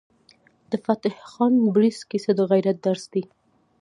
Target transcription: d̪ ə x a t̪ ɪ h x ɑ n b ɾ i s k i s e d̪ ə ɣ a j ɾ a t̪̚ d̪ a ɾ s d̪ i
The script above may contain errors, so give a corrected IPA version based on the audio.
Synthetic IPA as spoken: d̪ ə f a t̪ ɪ h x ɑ n b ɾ i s k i s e d̪ ə ɣ a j ɾ a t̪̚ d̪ a ɾ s d̪ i